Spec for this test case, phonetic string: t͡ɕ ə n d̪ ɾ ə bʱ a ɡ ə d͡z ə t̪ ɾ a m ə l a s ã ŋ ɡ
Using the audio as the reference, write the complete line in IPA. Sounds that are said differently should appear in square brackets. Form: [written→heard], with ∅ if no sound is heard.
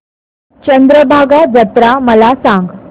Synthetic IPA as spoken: t͡ɕ ə n d̪ ɾ ə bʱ a ɡ [ə→a] d͡z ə t̪ ɾ a m ə l a s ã ŋ ɡ